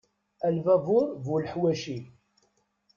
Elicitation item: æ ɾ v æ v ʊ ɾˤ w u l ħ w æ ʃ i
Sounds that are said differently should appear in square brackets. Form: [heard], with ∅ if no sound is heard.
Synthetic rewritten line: æ [l] v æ v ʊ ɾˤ [v] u l ħ w æ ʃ i